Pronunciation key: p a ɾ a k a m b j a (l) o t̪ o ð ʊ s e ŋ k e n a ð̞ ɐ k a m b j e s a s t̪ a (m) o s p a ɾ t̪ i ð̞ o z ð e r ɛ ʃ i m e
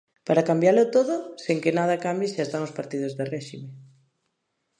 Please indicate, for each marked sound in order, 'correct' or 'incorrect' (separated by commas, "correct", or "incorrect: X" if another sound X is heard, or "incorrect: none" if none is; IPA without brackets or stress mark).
correct, incorrect: ŋ